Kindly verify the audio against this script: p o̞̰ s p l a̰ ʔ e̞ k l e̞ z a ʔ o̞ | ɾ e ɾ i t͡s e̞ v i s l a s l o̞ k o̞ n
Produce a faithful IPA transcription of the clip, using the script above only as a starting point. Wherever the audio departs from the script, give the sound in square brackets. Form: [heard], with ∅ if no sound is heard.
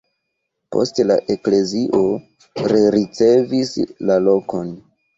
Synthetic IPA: p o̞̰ s [t] l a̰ ʔ e̞ k l e̞ z [i] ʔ o̞ | ɾ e ɾ i t͡s e̞ v i s l a [∅] l o̞ k o̞ n